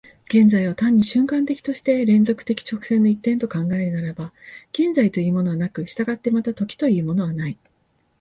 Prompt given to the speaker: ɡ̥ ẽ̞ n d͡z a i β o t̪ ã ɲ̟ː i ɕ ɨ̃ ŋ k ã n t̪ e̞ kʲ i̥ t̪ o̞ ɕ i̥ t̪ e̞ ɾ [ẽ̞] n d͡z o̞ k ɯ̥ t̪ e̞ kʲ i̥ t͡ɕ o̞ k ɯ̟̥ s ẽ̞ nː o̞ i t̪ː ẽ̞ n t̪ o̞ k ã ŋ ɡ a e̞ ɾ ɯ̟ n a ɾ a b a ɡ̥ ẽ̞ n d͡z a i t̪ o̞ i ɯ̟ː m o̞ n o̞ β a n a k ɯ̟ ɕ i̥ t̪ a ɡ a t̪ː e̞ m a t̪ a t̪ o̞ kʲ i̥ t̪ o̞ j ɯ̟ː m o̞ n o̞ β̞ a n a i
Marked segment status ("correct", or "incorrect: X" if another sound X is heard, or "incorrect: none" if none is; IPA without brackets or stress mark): correct